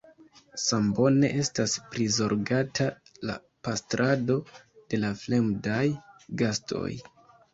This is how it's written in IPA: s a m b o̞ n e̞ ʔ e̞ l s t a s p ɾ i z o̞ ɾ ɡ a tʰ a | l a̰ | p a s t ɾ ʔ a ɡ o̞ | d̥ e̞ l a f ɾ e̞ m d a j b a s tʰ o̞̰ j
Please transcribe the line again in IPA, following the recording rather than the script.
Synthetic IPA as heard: s a m b o̞ n e̞ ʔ e̞ s t a s p ɾ i z o̞ ɾ ɡ a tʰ a | l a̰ | p a s t ɾ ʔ a d o̞ | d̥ e̞ l a f l e̞ m d a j ɡ a s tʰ o̞̰ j